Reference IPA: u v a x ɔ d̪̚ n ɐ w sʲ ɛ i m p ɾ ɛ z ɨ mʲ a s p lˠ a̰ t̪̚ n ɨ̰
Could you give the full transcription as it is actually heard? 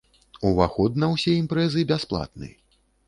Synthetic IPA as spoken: u v a x ɔ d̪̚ n ɐ w sʲ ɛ i m p ɾ ɛ z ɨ bʲ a s p lˠ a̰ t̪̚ n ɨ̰